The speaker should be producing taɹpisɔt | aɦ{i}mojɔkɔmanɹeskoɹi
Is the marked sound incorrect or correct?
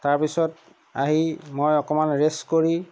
correct